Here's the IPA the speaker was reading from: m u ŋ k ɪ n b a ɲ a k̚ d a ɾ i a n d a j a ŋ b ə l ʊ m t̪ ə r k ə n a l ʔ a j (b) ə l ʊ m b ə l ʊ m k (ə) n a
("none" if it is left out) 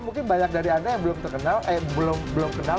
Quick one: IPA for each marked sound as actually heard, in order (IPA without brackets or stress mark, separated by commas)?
b, ə